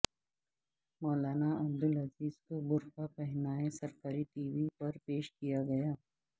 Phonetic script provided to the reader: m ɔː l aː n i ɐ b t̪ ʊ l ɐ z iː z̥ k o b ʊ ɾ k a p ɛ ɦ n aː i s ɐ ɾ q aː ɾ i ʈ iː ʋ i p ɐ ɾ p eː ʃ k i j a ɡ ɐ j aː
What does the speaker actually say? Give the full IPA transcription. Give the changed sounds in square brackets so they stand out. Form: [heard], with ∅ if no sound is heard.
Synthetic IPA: m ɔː l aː n [a] ɐ b [d̪] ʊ l ɐ z iː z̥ k o b ʊ ɾ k a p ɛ ɦ n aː [e] s ɐ ɾ [k] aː ɾ i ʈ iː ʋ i p ɐ ɾ p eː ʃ k i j a ɡ ɐ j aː